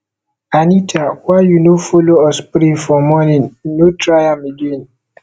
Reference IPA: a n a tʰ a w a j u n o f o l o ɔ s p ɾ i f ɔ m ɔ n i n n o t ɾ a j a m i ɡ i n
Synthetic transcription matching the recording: a n i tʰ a w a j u n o f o l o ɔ s p ɾ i f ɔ m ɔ n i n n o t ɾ a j a m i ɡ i n